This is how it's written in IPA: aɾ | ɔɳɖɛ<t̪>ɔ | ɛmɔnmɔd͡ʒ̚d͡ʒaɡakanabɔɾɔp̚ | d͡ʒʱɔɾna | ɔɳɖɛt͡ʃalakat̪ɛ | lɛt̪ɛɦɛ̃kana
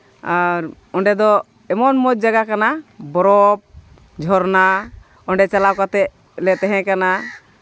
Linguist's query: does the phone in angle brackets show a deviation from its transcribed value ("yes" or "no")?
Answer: yes